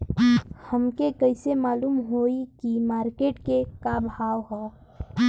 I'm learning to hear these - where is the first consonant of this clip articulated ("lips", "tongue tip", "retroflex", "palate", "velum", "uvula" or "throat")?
throat